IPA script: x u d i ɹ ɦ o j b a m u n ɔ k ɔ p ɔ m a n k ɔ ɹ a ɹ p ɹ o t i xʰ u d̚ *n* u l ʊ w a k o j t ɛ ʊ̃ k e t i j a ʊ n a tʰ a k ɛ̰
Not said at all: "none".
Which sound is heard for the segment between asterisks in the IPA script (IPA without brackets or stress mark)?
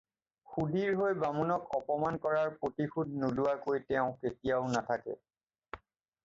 n